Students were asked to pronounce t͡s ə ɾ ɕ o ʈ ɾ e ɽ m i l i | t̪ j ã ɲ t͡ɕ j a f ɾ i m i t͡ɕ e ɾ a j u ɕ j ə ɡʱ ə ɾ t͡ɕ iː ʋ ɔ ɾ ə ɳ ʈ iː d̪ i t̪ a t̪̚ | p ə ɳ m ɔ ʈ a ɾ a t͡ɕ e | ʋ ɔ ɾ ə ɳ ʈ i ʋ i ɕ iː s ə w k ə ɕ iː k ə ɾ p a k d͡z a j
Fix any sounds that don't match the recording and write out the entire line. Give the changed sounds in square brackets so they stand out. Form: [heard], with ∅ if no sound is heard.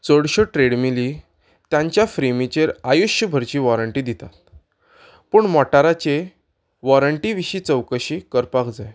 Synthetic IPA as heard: t͡s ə [ɽ] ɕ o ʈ ɾ e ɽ m i l i | t̪ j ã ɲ t͡ɕ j a f ɾ i m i t͡ɕ e ɾ a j u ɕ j ə [bʱ] ə ɾ t͡ɕ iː ʋ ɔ ɾ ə ɳ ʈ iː d̪ i t̪ a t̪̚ | p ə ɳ m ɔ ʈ a ɾ a t͡ɕ e | ʋ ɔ ɾ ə ɳ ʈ i ʋ i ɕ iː [t͡s] ə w k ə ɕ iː k ə ɾ p a k d͡z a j